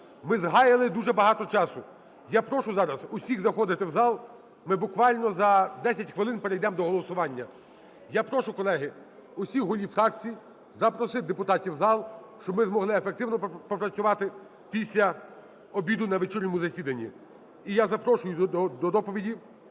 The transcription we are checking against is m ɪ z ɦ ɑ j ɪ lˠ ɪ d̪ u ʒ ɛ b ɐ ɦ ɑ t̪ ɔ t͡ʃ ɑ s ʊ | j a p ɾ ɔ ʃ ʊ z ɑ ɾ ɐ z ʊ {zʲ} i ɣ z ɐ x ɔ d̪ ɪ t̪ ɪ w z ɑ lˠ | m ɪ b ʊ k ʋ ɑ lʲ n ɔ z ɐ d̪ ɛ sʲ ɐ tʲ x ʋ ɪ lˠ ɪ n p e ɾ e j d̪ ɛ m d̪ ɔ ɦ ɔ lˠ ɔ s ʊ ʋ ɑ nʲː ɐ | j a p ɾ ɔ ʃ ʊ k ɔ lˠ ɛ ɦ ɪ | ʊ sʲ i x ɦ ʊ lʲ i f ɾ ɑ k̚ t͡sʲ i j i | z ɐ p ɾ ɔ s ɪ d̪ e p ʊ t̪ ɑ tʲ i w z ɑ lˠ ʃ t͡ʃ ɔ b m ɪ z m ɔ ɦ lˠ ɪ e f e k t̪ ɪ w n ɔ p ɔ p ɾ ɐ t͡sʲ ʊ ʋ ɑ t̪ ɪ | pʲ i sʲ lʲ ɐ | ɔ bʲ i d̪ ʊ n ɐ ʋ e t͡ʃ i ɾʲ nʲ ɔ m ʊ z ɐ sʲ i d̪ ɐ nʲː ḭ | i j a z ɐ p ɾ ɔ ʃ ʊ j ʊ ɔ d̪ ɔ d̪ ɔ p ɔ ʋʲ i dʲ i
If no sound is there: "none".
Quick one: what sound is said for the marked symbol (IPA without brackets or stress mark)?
sʲ